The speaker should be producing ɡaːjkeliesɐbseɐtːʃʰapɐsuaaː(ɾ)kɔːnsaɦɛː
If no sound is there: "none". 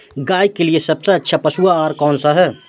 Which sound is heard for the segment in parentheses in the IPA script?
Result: ɾ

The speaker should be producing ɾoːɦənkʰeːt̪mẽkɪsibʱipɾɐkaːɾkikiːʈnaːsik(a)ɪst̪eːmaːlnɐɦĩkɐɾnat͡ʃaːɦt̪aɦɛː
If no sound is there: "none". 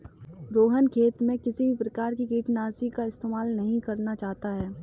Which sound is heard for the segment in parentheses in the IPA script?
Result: a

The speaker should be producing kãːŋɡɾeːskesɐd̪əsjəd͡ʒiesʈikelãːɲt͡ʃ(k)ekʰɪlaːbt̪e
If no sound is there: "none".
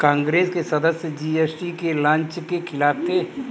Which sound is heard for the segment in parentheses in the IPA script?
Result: k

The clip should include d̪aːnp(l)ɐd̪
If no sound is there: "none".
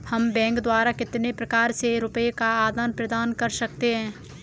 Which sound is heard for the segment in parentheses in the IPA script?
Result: ɾ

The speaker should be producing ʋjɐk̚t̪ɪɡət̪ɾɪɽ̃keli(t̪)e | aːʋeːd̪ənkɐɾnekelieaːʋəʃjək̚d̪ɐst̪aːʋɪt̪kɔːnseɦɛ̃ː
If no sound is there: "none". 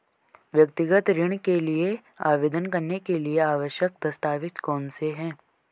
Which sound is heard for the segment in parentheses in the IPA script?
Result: none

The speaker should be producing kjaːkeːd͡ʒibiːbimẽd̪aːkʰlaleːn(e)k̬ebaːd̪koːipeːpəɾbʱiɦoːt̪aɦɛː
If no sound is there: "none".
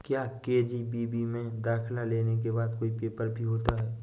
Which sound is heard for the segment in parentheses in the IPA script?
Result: e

